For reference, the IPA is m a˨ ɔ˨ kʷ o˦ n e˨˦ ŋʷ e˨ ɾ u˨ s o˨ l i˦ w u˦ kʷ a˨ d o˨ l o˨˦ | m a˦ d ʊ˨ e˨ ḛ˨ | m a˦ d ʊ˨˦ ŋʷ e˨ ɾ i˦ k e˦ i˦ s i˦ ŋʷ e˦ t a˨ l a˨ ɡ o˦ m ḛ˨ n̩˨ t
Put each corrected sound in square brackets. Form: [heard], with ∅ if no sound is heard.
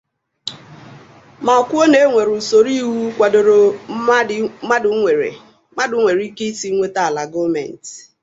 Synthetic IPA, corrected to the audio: m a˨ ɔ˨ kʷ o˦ n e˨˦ ŋʷ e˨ ɾ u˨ s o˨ [ɾ] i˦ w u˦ kʷ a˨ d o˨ [ɾ] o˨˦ | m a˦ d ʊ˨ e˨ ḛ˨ | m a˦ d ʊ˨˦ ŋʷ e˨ ɾ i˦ k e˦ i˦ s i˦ ŋʷ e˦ t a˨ l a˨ ɡ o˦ m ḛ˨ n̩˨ t